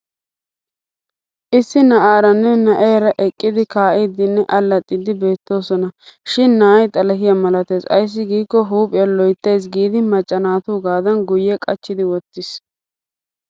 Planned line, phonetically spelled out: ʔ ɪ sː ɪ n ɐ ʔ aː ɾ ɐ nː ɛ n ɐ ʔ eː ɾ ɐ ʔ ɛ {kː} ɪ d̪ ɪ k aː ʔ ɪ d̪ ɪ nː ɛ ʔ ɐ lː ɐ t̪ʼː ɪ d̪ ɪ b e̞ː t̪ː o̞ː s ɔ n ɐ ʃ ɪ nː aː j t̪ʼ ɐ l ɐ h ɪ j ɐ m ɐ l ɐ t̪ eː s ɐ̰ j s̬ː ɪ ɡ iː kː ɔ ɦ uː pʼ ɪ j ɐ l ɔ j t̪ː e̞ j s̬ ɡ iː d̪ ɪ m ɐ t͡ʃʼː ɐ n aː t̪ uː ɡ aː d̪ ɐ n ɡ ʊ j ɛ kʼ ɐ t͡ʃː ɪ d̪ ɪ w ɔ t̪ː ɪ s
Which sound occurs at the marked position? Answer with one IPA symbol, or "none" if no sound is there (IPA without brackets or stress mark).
kʼː